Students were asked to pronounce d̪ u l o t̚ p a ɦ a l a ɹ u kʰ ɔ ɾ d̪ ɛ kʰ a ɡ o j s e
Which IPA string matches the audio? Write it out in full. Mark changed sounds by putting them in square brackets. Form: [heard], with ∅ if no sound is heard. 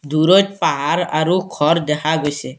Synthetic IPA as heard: d̪ u [ɾ] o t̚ p a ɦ a [ɾ] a [ɾ] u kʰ ɔ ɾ d̪ ɛ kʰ a ɡ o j s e